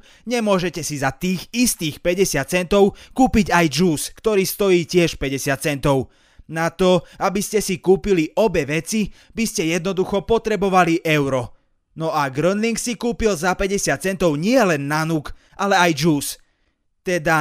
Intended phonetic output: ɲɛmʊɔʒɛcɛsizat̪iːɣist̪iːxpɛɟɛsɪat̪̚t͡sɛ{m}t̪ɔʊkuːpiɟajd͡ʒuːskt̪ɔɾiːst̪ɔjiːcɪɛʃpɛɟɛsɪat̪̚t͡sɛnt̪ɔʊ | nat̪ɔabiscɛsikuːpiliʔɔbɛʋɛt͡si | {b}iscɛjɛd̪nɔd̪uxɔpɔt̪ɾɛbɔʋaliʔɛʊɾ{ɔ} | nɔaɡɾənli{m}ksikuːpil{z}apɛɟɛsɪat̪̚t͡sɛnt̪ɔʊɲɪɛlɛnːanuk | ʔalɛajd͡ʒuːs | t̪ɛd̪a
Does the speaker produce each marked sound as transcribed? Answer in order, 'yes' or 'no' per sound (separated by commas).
no, yes, yes, no, yes